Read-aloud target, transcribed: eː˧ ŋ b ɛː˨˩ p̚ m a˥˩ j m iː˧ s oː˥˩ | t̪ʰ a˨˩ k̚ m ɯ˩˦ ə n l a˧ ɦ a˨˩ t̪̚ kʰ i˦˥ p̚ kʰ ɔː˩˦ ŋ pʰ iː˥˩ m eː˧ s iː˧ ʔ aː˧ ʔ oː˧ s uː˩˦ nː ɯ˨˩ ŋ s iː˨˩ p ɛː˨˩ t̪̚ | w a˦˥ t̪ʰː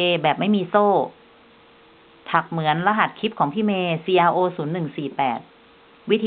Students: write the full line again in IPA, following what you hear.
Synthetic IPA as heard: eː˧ b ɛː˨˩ p̚ m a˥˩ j m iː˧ s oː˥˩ | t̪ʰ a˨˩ k̚ m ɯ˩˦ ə n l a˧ ɦ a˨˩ t̪̚ kʰ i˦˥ p̚ kʰ ɔː˩˦ ŋ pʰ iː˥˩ m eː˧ s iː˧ ʔ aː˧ ʔ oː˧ s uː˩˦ nː ɯ˨˩ ŋ s iː˨˩ p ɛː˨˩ t̪̚ | w i˦˥ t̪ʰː